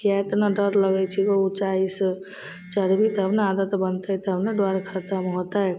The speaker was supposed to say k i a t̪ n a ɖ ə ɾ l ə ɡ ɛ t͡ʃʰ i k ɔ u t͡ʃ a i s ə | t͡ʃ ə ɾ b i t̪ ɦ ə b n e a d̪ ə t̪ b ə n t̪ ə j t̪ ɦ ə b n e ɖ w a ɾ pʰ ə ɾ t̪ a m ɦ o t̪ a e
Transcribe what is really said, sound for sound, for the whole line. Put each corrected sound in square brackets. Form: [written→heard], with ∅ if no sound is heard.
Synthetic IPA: k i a t̪ n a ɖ ə ɾ l ə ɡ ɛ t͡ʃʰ i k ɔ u t͡ʃ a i s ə | t͡ʃ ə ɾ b i t̪ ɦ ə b n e a d̪ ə t̪ b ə n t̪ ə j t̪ ɦ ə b n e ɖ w a ɾ [pʰ→kʰ] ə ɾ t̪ a m ɦ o t̪ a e